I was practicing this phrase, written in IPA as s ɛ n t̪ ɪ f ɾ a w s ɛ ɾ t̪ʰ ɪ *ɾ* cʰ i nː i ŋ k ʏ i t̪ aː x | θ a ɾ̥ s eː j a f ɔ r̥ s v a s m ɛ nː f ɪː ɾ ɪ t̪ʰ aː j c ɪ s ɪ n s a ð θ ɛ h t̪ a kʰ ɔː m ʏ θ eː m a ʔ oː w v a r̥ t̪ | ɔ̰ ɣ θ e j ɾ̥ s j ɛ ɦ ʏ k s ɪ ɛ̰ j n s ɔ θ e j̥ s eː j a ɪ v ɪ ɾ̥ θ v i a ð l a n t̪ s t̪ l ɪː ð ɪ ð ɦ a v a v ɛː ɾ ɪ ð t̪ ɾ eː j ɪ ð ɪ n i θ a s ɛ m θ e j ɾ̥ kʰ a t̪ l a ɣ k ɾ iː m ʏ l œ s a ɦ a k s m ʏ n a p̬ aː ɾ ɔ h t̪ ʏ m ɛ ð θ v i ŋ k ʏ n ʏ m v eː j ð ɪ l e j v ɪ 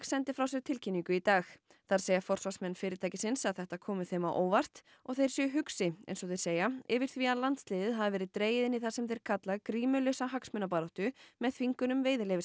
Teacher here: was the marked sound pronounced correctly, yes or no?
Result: no